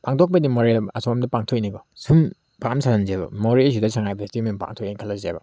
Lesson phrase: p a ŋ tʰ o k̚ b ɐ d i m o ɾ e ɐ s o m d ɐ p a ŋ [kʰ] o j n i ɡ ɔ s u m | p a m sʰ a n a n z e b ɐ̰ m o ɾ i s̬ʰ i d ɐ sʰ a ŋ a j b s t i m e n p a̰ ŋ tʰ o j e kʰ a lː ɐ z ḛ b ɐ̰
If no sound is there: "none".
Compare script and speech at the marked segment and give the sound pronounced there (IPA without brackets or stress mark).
tʰ